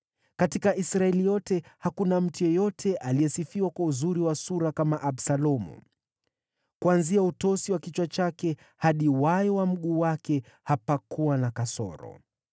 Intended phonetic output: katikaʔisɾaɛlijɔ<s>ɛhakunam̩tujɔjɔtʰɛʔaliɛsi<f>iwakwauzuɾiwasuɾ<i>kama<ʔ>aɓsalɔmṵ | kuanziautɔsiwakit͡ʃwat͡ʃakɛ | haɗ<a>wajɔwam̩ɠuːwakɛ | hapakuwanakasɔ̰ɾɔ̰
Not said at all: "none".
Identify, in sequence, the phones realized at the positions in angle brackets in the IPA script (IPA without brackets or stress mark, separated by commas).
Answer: t, f, a, ʔ, i